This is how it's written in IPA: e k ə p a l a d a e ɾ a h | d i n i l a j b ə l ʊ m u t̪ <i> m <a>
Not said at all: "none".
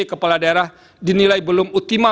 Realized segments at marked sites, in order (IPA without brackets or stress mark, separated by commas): i, a